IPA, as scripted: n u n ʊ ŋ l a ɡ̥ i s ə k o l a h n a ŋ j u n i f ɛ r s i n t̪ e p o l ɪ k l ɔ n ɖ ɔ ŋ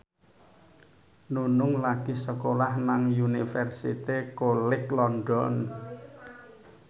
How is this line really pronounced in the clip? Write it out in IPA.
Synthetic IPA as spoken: n u n ʊ ŋ l a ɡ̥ i s ə k o l a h n a ŋ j u n i f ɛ r s i t̪ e k o l ɪ k l ɔ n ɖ ɔ n